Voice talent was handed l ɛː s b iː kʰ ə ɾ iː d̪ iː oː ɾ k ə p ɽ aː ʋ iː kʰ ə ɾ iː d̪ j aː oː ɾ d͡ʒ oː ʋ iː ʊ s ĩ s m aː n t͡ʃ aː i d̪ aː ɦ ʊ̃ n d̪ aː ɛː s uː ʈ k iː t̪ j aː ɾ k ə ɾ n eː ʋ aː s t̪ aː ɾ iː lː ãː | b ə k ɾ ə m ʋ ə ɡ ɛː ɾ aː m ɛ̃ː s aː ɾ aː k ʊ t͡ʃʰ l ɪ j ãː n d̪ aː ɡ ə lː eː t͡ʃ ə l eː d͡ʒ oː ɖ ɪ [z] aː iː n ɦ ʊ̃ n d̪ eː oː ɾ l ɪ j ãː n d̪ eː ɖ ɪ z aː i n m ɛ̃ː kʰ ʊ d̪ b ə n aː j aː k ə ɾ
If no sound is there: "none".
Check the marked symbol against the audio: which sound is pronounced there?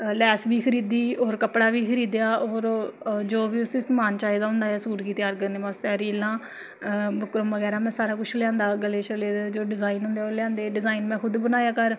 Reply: z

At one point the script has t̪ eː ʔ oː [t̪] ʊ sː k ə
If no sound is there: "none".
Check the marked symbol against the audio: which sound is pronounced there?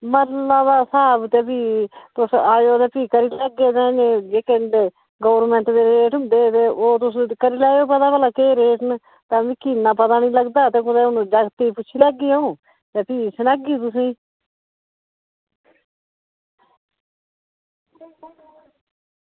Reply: t̪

